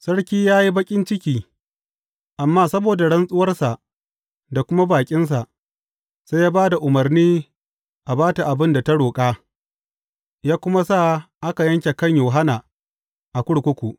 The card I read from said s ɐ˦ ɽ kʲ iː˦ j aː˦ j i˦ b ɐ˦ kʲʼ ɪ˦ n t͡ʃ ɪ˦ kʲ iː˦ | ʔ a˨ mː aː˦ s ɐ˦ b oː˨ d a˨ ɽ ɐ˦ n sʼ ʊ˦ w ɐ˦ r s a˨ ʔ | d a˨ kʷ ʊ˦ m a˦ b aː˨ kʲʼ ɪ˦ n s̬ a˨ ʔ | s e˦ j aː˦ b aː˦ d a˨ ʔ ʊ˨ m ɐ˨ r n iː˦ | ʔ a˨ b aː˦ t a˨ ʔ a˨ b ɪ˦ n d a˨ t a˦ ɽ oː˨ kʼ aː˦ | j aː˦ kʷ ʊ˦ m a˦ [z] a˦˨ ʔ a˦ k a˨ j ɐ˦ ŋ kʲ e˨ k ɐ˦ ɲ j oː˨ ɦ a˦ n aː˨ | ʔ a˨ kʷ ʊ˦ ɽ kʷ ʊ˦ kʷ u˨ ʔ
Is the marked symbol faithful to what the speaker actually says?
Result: no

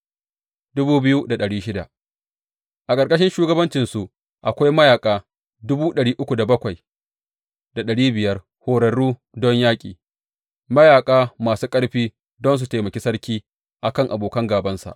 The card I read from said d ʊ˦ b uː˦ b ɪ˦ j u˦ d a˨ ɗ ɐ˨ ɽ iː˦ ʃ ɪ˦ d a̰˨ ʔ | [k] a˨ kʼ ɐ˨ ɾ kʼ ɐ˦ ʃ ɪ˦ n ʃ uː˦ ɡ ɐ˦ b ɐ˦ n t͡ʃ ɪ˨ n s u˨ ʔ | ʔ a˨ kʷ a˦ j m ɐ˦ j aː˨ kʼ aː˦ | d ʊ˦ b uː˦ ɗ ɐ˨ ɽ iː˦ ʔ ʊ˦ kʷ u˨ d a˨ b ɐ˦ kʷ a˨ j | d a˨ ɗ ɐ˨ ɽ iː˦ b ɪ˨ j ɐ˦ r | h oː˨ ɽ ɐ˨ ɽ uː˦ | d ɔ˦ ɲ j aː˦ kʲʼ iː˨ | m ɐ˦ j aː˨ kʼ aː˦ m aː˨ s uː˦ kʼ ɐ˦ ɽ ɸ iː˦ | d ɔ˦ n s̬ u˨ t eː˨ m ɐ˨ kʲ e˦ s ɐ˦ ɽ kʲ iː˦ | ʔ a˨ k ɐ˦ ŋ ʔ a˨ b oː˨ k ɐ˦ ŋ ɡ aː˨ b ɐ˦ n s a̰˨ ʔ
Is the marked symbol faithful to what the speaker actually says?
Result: no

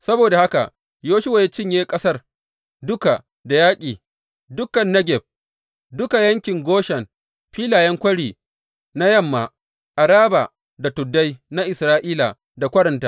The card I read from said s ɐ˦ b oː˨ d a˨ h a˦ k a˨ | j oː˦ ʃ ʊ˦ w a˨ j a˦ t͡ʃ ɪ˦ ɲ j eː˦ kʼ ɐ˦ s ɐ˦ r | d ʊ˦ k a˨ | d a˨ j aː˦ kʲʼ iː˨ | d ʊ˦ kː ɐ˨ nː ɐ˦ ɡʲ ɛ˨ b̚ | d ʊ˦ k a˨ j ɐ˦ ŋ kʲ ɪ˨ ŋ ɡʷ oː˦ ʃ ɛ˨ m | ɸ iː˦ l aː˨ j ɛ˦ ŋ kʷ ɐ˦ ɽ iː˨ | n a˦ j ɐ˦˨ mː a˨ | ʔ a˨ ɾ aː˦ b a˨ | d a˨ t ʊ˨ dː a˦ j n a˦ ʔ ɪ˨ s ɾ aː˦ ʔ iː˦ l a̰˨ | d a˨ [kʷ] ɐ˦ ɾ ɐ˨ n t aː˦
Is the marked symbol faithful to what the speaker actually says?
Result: yes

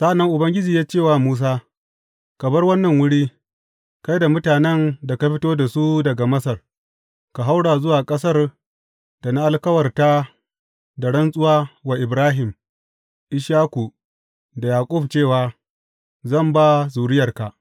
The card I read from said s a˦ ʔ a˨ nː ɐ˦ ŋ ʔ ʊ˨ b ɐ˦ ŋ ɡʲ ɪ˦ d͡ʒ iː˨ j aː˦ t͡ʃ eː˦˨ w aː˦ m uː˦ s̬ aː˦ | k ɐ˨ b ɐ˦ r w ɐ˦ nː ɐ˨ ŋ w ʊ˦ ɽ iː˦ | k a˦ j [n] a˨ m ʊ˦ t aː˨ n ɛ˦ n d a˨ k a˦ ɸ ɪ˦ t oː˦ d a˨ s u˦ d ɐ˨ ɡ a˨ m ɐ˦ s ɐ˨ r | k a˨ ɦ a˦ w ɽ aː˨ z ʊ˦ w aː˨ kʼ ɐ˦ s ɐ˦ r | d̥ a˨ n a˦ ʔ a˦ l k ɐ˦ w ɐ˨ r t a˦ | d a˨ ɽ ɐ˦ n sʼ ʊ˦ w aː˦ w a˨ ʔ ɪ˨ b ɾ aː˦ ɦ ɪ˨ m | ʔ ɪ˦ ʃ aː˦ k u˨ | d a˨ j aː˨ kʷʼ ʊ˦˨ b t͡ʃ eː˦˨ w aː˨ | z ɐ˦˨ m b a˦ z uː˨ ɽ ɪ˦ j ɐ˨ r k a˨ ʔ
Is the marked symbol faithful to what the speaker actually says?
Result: no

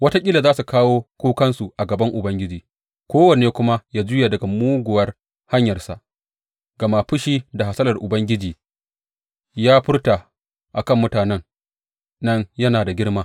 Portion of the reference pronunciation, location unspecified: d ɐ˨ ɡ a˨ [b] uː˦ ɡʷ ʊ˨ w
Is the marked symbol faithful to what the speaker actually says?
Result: no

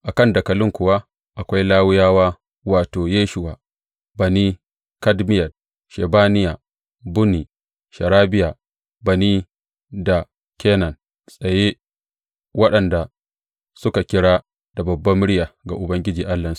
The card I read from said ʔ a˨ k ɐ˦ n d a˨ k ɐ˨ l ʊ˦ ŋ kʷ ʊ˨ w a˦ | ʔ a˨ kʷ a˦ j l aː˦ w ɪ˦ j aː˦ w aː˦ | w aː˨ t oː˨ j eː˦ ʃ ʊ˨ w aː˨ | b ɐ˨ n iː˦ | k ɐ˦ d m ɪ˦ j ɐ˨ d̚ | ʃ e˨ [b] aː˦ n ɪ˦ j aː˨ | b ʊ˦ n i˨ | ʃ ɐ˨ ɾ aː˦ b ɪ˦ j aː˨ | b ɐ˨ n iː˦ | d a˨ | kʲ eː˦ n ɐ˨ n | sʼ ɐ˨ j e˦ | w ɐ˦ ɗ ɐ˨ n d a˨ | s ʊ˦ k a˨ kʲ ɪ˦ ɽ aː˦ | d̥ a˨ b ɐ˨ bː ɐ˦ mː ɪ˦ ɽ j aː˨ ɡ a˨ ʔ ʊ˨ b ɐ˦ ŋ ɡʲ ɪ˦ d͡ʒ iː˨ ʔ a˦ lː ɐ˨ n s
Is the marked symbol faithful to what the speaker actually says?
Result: yes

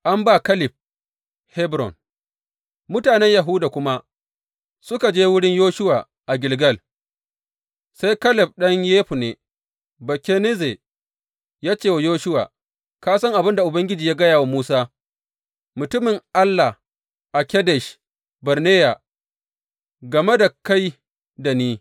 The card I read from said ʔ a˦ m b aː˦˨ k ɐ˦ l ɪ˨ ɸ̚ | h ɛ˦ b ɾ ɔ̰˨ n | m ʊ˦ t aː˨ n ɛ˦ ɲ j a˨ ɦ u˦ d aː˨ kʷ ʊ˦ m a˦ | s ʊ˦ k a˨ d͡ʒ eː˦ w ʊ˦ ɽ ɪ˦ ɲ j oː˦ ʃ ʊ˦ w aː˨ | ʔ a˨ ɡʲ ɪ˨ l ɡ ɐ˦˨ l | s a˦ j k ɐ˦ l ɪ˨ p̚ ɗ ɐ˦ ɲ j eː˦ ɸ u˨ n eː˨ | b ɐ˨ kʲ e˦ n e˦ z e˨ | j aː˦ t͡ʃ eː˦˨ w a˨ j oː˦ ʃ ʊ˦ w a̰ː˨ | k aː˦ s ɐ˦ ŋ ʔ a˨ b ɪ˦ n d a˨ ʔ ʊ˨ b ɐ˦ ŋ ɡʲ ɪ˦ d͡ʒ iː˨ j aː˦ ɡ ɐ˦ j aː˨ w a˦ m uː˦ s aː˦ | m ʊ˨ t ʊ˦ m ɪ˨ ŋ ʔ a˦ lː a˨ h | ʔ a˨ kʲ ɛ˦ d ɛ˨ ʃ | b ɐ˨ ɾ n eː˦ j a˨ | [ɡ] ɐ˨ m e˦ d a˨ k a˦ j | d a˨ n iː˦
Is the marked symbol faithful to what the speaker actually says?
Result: yes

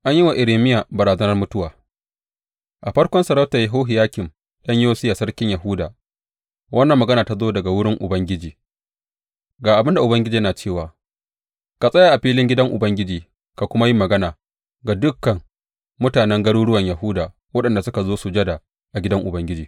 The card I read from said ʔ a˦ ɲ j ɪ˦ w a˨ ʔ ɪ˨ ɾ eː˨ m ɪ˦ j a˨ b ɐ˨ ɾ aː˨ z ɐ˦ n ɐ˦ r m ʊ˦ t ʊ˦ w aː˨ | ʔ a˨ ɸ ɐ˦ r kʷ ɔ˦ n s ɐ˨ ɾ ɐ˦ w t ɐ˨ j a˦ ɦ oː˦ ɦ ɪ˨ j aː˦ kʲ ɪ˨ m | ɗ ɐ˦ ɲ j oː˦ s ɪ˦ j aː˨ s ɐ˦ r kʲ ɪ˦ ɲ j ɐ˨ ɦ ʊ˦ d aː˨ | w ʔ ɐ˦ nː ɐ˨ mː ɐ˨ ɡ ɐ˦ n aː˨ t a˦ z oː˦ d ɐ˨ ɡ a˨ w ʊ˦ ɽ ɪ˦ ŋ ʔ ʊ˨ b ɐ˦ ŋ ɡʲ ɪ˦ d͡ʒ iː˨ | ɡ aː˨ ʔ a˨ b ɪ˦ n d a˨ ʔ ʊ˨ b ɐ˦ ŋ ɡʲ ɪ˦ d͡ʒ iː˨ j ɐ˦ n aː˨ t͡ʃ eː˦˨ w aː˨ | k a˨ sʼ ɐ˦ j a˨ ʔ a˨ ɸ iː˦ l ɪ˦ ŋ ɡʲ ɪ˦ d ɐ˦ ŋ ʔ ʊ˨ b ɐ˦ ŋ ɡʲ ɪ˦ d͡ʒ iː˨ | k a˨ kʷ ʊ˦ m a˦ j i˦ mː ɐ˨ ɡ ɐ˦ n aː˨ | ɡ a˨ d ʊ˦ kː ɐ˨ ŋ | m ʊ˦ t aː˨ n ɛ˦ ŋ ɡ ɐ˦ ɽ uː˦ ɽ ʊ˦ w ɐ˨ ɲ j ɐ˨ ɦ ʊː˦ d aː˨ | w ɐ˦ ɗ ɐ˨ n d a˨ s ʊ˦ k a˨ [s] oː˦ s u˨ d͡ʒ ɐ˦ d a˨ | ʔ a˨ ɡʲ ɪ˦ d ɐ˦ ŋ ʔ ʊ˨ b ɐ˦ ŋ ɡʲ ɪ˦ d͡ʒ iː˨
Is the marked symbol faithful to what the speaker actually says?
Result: no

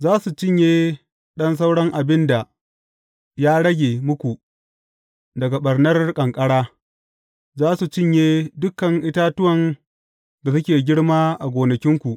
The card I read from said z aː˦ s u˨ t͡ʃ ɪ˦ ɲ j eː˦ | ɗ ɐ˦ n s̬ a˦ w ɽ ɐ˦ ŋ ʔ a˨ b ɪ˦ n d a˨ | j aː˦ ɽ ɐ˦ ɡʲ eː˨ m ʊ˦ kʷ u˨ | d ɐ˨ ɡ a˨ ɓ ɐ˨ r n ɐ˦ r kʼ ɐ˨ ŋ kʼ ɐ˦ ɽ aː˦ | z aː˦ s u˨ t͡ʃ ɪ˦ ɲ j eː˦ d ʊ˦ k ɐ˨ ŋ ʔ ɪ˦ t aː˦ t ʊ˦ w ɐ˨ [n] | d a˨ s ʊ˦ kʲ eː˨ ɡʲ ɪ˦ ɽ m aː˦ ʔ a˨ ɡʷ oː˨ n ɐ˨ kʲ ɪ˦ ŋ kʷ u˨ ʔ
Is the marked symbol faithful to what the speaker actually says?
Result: yes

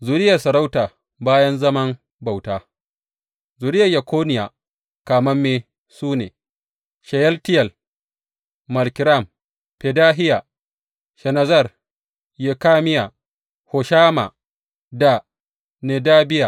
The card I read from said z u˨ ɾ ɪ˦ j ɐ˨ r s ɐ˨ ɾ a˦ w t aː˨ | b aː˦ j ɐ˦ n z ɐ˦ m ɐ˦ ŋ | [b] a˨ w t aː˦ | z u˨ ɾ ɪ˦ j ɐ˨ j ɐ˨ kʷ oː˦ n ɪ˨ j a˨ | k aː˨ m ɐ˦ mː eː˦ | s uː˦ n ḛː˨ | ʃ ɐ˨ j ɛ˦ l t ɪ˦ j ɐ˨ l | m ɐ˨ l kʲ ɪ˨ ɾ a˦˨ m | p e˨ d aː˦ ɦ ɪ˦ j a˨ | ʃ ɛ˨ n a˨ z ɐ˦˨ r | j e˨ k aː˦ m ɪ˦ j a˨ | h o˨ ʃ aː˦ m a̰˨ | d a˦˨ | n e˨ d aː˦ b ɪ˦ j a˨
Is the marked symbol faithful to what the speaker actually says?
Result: yes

